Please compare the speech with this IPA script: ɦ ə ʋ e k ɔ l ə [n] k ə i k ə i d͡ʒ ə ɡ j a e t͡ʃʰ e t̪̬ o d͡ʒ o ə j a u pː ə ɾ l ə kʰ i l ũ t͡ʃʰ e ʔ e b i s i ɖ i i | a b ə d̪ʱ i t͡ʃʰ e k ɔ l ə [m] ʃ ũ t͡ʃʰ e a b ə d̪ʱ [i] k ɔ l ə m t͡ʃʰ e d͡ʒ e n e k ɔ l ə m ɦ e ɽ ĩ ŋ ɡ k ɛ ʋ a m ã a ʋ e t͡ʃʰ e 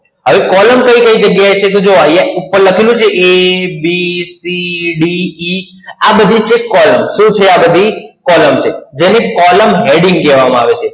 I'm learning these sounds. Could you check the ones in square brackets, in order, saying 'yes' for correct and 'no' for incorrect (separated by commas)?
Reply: no, yes, yes